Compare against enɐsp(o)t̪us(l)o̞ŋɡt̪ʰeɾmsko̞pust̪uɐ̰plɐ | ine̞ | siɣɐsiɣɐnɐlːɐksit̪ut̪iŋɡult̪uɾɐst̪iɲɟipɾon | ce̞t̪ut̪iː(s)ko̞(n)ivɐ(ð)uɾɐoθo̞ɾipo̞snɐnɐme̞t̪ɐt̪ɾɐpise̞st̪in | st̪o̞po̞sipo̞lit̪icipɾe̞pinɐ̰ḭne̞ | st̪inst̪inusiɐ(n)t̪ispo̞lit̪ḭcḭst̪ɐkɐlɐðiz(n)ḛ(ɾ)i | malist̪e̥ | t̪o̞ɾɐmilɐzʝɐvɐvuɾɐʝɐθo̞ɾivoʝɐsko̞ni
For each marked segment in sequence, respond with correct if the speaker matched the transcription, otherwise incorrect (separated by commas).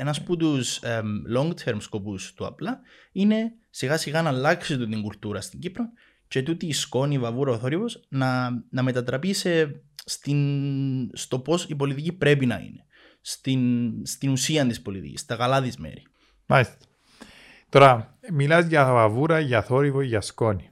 incorrect, correct, correct, correct, incorrect, correct, incorrect, correct